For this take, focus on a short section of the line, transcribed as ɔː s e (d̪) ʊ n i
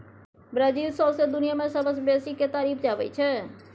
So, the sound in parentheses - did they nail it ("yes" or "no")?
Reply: yes